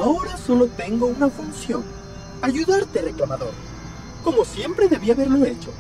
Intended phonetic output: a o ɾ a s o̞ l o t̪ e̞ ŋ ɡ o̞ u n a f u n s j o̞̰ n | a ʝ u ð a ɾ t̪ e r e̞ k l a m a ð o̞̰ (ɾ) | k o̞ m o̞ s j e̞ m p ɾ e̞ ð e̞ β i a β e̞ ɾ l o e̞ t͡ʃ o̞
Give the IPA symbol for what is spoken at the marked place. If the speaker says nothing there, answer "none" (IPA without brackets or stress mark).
ɾ